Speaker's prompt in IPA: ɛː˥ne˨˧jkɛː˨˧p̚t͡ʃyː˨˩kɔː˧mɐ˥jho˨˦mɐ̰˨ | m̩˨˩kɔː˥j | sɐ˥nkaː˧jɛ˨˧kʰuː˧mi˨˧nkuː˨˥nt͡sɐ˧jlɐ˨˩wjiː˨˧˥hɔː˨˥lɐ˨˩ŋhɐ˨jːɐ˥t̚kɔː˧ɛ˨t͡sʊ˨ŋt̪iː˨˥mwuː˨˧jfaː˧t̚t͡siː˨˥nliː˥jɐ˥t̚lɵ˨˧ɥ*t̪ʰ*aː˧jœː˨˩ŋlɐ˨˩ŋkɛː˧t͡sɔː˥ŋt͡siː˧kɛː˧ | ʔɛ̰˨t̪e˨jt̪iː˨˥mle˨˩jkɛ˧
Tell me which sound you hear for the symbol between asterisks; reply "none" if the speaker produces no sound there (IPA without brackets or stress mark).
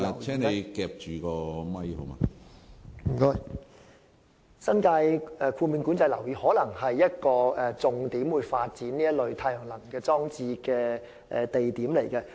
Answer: t̪ʰ